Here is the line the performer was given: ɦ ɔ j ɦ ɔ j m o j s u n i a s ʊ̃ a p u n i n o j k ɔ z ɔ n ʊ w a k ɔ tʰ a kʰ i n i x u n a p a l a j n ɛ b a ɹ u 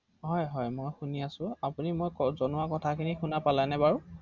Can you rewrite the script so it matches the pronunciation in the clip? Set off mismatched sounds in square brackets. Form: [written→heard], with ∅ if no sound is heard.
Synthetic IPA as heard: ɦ ɔ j ɦ ɔ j m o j [s→x] u n i a s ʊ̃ a p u n i [n→m] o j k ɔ z ɔ n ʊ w a k ɔ tʰ a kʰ i n i x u n a p a l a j n ɛ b a ɹ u